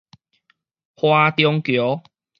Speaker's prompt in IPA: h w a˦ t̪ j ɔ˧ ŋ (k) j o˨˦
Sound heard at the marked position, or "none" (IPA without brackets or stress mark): k